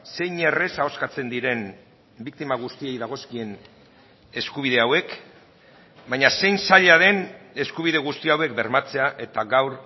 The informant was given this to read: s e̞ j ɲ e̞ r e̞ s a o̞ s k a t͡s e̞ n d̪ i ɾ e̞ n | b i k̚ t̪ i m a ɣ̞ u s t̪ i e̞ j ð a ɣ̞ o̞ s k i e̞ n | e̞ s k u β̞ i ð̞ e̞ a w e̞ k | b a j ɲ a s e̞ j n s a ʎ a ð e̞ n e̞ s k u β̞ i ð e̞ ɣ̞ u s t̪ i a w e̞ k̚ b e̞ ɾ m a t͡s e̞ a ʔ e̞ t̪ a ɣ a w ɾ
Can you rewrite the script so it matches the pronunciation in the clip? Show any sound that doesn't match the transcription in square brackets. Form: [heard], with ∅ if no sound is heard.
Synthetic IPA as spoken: s e̞ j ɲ e̞ r e̞ s a o̞ s k a t͡s e̞ n d̪ i ɾ e̞ n | b i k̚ t̪ i m a ɣ̞ u s t̪ i e̞ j ð a ɣ̞ o̞ s k i e̞ n | e̞ s k u β̞ i ð̞ e̞ a w e̞ k | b a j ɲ a s e̞ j n s a ʎ a ð e̞ n e̞ s k u β̞ i ð e̞ ɣ̞ u s t̪ i a w e̞ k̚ b e̞ ɾ m a t͡s e̞ a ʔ e̞ t̪ a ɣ a w ɾ

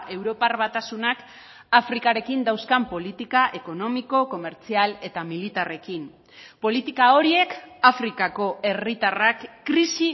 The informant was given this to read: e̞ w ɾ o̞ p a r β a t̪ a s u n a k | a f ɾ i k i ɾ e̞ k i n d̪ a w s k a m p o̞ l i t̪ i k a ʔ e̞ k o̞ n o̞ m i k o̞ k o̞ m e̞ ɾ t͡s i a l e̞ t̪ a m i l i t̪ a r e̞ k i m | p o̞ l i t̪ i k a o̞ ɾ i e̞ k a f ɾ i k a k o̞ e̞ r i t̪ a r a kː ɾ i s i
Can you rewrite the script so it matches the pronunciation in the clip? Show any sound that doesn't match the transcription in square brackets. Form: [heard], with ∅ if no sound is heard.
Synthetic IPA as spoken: e̞ w ɾ o̞ p a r β a t̪ a s u n a k | a f ɾ i k [a] ɾ e̞ k i n d̪ a w s k a m p o̞ l i t̪ i k a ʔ e̞ k o̞ n o̞ m i k o̞ k o̞ m e̞ ɾ t͡s i a l e̞ t̪ a m i l i t̪ a r e̞ k i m | p o̞ l i t̪ i k a o̞ ɾ i e̞ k a f ɾ i k a k o̞ e̞ r i t̪ a r a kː ɾ i s i

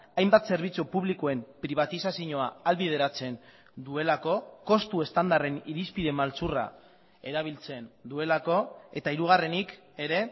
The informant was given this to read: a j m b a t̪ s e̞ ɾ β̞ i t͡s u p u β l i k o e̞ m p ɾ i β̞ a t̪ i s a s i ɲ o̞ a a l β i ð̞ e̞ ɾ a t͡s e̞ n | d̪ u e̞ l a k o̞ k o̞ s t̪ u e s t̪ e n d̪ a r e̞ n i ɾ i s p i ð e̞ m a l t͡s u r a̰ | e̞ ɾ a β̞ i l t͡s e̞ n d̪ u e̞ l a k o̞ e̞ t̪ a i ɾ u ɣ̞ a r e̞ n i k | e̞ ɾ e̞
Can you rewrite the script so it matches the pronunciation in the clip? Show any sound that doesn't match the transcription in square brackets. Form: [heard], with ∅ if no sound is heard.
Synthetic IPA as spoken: a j m b a t̪ s e̞ ɾ β̞ i t͡s u p u β l i k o e̞ m p ɾ i β̞ a t̪ i s a s i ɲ o̞ a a l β i ð̞ e̞ ɾ a t͡s e̞ n | d̪ u e̞ l a k o̞ k o̞ s t̪ u e s t̪ [a] n d̪ a r e̞ n i ɾ i s p i ð e̞ m a l t͡s u r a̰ | e̞ ɾ a β̞ i l t͡s e̞ n d̪ u e̞ l a k o̞ e̞ t̪ a i ɾ u ɣ̞ a r e̞ n i k | e̞ ɾ e̞

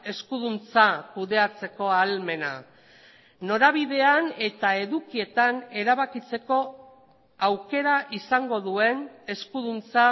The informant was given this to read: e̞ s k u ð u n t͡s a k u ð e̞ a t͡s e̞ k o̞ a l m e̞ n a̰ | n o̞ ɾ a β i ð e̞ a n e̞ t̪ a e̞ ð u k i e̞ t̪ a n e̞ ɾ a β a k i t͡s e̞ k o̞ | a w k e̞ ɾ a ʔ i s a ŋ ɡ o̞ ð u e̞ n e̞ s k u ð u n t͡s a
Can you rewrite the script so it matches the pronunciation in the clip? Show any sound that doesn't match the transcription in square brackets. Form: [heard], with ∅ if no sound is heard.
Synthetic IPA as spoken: e̞ s k u ð u n t͡s a k u ð e̞ a t͡s e̞ k o̞ a l m e̞ n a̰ | n o̞ ɾ a β i ð e̞ a n e̞ t̪ a e̞ ð u k i e̞ t̪ a n e̞ ɾ a β a k i t͡s e̞ k o̞ | a w k e̞ ɾ a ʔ i s a ŋ ɡ o̞ ð u e̞ n e̞ s k u ð u n t͡s a

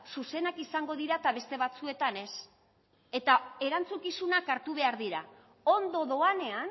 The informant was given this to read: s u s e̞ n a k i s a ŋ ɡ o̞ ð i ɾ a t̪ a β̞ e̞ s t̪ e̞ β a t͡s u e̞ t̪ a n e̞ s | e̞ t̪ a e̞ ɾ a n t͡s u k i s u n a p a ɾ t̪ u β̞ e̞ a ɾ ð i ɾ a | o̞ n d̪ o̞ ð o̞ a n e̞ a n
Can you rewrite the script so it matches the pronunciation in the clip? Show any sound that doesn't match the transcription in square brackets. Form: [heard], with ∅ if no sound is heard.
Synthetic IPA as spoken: s u s e̞ n a k i s a ŋ ɡ o̞ ð i ɾ a t̪ a β̞ e̞ s t̪ e̞ β a t͡s u e̞ t̪ a n e̞ s | e̞ t̪ a e̞ ɾ a n t͡s u k i s u n a [k] a ɾ t̪ u β̞ e̞ a ɾ ð i ɾ a | o̞ n d̪ o̞ ð o̞ a n e̞ a n

